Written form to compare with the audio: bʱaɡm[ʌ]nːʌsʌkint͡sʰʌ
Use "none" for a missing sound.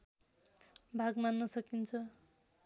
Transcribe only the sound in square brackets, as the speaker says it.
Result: a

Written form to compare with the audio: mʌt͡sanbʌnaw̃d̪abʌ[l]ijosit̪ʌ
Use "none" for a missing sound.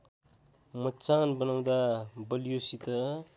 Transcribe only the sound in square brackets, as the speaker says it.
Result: l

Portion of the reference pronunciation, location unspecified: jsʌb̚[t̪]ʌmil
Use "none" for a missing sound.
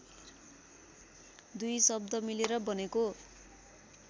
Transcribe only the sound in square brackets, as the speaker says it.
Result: d̪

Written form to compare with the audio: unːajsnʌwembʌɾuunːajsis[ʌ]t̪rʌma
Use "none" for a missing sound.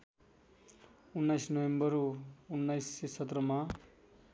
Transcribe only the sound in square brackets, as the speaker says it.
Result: ʌ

